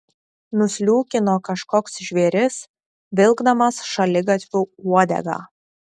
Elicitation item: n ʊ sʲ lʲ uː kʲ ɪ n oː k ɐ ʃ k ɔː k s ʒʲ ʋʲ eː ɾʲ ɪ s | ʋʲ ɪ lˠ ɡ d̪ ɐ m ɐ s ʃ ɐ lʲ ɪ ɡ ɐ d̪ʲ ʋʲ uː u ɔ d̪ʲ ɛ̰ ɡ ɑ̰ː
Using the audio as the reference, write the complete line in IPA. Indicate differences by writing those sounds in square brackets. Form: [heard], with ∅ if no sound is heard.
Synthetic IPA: n ʊ sʲ lʲ uː kʲ ɪ n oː k ɐ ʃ k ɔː k s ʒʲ ʋʲ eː ɾʲ ɪ s | ʋʲ ɪ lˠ ɡ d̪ ɐ m ɐ s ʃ ɐ lʲ ɪ ɡ ɐ [t̪ʲ] ʋʲ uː u ɔ d̪ʲ ɛ̰ ɡ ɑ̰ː